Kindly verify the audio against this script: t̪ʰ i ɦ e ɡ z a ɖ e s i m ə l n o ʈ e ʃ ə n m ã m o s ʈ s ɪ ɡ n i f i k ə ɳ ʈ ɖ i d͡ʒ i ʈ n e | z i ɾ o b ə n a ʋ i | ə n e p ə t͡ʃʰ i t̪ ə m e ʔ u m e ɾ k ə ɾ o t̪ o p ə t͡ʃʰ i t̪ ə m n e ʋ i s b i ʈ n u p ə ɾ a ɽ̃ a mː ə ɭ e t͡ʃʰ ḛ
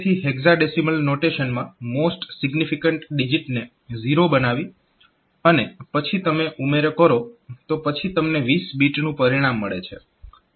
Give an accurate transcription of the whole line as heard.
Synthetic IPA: t̪ʰ i ɦ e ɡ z a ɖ e s i m ə l n o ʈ e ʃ ə n m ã m o s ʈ s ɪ ɡ n i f i k ə ɳ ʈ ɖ i d͡ʒ i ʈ n e | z i ɾ o b ə n a ʋ i | ə n e p ə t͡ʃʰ i t̪ ə m e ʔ u m e ɾ k ə ɾ o t̪ o p ə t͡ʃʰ i t̪ ə m n e ʋ i s b i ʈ n ũ p ə ɾ i ɽ̃ a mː ə ɭ e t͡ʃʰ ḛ